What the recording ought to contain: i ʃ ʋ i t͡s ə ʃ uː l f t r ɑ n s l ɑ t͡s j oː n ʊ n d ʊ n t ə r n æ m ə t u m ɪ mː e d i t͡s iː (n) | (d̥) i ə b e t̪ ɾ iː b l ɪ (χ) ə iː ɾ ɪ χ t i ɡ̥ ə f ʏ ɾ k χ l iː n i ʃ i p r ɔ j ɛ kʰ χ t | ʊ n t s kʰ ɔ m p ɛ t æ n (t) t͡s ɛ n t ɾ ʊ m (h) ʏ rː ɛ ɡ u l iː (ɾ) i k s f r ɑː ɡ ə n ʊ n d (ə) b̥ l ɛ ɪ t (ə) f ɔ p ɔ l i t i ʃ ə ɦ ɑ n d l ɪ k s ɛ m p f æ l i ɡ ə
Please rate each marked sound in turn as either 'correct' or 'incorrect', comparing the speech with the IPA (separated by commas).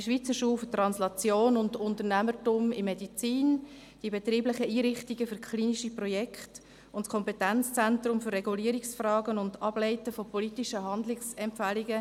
correct, correct, correct, incorrect, incorrect, correct, incorrect, correct